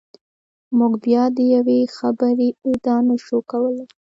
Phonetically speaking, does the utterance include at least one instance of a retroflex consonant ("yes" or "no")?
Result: no